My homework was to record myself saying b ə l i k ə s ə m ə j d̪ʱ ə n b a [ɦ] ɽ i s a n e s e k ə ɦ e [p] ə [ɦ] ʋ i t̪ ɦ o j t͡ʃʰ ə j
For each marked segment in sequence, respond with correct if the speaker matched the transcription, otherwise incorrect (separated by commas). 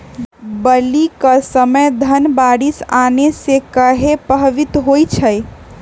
incorrect, correct, correct